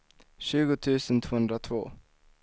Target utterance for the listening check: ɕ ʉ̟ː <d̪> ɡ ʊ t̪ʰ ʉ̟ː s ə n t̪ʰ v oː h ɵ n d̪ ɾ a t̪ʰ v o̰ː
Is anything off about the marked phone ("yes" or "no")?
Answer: yes